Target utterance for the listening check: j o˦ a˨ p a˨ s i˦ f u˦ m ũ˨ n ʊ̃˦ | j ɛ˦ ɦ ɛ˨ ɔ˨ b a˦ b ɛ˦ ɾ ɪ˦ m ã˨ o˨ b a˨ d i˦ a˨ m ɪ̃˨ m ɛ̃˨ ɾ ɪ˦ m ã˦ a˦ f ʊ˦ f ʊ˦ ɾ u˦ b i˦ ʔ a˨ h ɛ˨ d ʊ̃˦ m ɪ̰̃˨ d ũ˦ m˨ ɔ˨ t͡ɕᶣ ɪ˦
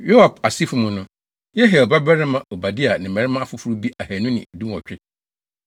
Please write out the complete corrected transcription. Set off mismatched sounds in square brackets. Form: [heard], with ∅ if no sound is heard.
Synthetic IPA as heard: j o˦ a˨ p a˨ s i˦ f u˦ m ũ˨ n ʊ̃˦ | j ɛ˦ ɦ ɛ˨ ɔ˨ b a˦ b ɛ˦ ɾ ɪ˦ m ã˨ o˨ b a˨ d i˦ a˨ [n] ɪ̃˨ m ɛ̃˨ ɾ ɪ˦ m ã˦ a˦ f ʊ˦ f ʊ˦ ɾ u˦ b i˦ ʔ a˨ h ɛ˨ [n] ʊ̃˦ [n] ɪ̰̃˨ d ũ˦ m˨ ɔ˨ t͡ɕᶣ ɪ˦